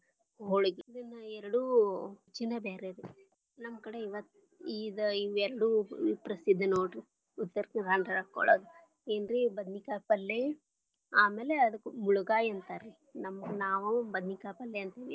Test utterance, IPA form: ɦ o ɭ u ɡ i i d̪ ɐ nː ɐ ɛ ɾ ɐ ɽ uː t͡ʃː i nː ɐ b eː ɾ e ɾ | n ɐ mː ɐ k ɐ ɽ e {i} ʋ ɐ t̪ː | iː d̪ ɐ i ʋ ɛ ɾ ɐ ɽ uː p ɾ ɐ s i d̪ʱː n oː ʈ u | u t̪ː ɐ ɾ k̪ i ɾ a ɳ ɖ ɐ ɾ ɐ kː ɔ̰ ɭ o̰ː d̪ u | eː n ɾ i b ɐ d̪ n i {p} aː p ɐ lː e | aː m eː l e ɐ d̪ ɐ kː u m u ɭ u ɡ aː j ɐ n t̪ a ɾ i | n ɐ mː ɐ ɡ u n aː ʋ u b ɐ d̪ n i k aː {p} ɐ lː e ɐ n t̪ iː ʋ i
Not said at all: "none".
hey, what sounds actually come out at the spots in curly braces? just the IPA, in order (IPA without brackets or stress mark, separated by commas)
i, k, p